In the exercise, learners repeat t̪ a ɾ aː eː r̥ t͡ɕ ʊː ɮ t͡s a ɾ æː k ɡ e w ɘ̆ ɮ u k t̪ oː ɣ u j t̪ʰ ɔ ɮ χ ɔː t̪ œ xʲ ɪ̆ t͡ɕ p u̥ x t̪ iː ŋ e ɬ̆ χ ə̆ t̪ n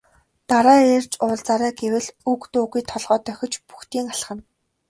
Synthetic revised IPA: t̪ a ɾ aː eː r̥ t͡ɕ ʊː ɮ t͡s a ɾ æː ɡ e w ɘ̆ ɮ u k t̪ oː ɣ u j t̪ʰ ɔ ɮ ʁ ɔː t̪ œ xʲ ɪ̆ t͡ɕ p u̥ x t̪ iː ŋ a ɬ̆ χ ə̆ n